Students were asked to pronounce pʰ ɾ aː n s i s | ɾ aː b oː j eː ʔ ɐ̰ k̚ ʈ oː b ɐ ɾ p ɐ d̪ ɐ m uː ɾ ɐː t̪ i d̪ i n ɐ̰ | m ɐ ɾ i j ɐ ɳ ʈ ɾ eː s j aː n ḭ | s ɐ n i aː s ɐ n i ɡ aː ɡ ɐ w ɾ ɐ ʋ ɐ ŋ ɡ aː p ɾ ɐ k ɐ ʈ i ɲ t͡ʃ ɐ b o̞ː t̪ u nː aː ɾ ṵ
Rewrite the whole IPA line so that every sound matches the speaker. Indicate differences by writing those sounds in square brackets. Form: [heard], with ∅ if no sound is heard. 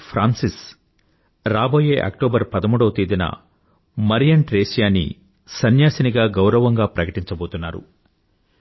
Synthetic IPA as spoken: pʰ ɾ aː n s i s | ɾ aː b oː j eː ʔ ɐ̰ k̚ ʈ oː b ɐ ɾ p ɐ d̪ ɐ m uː [ɽ] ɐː t̪ i d̪ i n ɐ̰ | m ɐ ɾ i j ɐ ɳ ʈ ɾ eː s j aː n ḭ | s ɐ n [j] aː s ɐ n i ɡ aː ɡ ɐ w ɾ ɐ ʋ ɐ ŋ ɡ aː p ɾ ɐ k ɐ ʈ i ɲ t͡ʃ ɐ b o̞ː t̪ u nː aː ɾ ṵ